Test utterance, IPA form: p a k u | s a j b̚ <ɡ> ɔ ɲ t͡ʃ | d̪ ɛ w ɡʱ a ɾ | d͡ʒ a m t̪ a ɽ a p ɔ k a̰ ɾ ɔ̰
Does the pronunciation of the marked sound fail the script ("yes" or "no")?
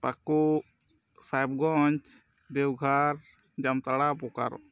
no